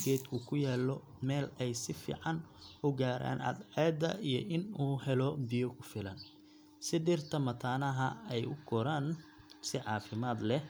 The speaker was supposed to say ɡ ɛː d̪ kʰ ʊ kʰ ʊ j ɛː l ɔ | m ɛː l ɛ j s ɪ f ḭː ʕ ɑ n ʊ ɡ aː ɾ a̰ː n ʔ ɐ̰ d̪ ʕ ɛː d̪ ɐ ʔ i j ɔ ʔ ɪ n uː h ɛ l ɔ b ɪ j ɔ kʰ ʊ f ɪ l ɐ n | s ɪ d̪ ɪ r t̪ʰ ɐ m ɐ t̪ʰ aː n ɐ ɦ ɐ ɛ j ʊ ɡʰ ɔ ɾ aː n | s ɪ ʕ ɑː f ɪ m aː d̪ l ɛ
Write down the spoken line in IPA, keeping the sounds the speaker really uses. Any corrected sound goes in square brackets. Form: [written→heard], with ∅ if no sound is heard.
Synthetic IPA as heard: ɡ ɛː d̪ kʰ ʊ kʰ ʊ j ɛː l ɔ | m ɛː l ɛ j s ɪ f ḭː ʕ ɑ n ʊ ɡ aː ɾ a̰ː n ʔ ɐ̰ d̪ ʕ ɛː d̪ ɐ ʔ i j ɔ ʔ ɪ n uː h ɛ l ɔ b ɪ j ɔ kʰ ʊ f ɪ l ɐ n | s ɪ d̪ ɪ r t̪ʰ ɐ m ɐ t̪ʰ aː n ɐ ɦ ɐ ɛ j ʊ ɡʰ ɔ ɾ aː n | s ɪ ʕ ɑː f ɪ m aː d̪ l ɛ